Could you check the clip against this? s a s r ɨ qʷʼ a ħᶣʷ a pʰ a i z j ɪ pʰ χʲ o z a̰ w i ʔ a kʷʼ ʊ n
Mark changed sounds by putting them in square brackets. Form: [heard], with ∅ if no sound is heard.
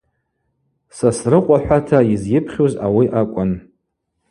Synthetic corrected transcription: s a s r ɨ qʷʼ a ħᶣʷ a [tʰ] a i z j ɪ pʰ χʲ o z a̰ w i ʔ a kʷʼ ʊ n

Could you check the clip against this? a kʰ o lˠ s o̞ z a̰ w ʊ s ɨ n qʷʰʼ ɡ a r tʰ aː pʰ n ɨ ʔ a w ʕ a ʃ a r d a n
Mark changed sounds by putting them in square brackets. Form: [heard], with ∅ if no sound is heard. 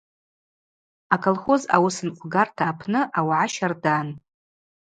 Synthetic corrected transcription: a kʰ o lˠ [χ] o̞ z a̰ w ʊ s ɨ n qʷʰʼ ɡ a r tʰ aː pʰ n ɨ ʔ a w ʕ a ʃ a r d a n

